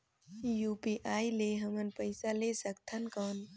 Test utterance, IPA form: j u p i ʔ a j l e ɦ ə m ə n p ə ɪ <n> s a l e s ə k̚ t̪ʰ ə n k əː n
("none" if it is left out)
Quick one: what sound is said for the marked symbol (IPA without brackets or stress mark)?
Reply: none